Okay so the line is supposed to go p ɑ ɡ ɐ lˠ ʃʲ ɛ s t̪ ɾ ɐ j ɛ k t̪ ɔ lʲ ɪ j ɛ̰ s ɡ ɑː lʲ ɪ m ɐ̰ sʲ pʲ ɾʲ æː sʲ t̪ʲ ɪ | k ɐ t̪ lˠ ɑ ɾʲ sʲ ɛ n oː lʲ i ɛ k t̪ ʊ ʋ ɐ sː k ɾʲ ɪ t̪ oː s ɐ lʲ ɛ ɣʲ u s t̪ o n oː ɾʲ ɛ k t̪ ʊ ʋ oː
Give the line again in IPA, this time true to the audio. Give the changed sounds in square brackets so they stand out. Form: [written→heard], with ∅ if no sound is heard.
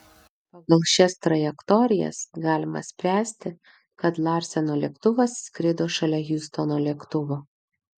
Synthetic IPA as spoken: p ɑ ɡ ɐ lˠ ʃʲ ɛ s t̪ ɾ ɐ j ɛ k t̪ ɔ [lʲ→ɾʲ] ɪ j ɛ̰ s ɡ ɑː lʲ ɪ m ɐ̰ sʲ pʲ ɾʲ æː sʲ t̪ʲ ɪ | k ɐ t̪ lˠ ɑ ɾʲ sʲ ɛ n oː lʲ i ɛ k t̪ ʊ ʋ ɐ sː k ɾʲ ɪ [t̪→d̪] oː [s→ʃ] ɐ lʲ ɛ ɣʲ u s t̪ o n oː [ɾʲ→lʲ] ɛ k t̪ ʊ ʋ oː